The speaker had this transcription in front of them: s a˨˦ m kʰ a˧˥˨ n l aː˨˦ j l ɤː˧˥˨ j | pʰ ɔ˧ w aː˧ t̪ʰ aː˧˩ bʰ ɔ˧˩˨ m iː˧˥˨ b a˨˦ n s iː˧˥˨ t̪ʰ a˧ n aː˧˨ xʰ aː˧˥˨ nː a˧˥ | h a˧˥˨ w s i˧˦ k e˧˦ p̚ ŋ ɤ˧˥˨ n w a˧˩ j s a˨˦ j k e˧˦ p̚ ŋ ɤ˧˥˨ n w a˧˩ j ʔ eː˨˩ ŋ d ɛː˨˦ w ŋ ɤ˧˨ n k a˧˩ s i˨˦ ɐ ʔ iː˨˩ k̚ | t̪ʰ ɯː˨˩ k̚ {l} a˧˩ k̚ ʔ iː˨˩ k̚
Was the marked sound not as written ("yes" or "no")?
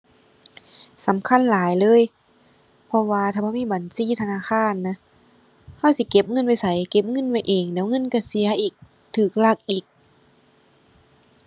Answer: no